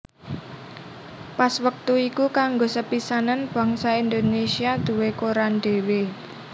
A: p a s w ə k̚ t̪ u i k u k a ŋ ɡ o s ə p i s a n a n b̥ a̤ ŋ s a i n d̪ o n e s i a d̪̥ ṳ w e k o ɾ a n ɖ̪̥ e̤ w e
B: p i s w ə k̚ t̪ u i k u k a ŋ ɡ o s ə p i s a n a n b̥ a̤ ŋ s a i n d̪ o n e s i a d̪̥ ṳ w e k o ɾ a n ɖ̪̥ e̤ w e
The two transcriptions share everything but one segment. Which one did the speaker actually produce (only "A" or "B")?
A